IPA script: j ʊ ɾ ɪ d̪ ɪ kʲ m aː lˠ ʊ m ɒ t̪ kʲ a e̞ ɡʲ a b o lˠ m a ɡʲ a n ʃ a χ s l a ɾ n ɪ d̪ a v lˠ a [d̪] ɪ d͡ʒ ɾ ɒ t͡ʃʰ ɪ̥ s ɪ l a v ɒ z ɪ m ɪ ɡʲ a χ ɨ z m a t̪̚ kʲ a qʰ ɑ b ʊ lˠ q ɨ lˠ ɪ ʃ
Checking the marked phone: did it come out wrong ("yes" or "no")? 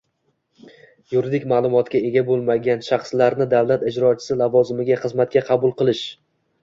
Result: yes